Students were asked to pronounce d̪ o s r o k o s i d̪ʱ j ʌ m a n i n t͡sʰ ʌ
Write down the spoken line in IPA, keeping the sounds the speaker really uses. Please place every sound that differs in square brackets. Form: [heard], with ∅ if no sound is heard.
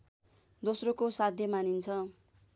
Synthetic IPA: d̪ o s r o k o s [a] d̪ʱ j ʌ m a n i n t͡sʰ ʌ